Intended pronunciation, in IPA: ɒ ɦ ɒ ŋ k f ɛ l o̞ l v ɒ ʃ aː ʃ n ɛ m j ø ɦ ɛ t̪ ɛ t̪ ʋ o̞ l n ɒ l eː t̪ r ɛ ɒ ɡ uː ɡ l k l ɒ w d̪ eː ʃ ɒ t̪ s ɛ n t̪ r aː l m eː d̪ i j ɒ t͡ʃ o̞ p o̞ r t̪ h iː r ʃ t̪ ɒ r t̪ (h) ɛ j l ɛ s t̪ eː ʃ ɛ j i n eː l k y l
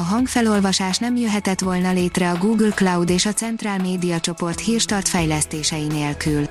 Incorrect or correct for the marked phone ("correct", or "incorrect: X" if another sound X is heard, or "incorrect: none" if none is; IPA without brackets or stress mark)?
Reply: incorrect: f